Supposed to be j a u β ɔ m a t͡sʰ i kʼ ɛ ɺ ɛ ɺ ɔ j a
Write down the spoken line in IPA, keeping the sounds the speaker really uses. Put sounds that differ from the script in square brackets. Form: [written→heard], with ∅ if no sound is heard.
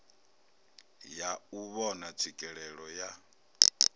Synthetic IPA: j a u β ɔ [m→n] a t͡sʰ i kʼ ɛ ɺ ɛ ɺ ɔ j a